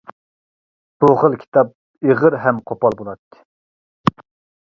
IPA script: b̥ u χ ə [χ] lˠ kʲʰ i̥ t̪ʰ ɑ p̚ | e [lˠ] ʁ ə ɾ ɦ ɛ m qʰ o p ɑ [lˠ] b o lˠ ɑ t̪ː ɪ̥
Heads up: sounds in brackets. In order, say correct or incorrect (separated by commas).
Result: incorrect, incorrect, correct